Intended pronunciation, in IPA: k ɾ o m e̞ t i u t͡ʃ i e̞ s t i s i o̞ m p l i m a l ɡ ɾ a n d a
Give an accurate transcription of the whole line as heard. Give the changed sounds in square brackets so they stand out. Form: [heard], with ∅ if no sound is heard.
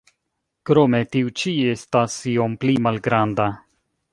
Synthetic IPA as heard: k ɾ o m e̞ t i u t͡ʃ i e̞ s t [a] s i o̞ m p l i m a l ɡ ɾ a n d a

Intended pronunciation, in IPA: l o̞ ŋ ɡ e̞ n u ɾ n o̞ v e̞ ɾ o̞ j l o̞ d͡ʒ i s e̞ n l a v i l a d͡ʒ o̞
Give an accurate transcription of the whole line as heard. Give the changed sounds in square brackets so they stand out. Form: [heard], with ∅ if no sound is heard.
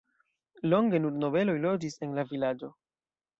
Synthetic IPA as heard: l o̞ ŋ ɡ e̞ n u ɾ n o̞ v e̞ [l] o̞ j l o̞ d͡ʒ i s e̞ n l a v i l a d͡ʒ o̞

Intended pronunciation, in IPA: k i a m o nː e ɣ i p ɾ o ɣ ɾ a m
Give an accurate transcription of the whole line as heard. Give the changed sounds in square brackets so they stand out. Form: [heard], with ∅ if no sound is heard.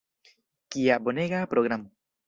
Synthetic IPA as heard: k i a [b] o [n] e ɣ [a] p ɾ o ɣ ɾ a m

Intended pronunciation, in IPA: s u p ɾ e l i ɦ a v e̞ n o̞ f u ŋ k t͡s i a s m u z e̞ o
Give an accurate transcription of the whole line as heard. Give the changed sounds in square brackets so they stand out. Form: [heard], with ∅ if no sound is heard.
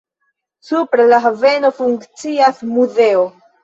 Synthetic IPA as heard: s u p ɾ e l [a] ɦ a v e̞ n o̞ f u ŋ k t͡s i a s m u z e̞ o

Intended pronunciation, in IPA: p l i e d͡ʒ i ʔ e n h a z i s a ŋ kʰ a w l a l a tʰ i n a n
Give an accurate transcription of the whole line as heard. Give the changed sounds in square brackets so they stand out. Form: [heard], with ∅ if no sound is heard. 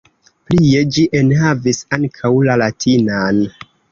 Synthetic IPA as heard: p l i e d͡ʒ i ʔ e n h a [v] i s a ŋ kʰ a w l a l a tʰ i n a n

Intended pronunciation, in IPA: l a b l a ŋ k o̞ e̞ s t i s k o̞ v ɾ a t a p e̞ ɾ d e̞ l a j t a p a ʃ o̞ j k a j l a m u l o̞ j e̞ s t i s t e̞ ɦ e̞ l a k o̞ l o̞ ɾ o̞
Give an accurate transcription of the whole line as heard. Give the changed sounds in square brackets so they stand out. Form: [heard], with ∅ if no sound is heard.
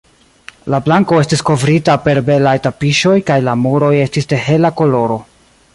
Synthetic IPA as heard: l a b l a ŋ k o̞ e̞ s t i s k o̞ v ɾ [i] t a p e̞ ɾ [b] e̞ l a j t a p [i] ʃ o̞ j k a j l a m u [ɾ] o̞ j e̞ s t i s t e̞ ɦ e̞ l a k o̞ l o̞ ɾ o̞

